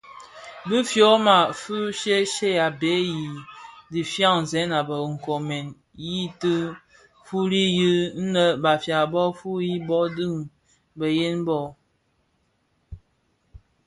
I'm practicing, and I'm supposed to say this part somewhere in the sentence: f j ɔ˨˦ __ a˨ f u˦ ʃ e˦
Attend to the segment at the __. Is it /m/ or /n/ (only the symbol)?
m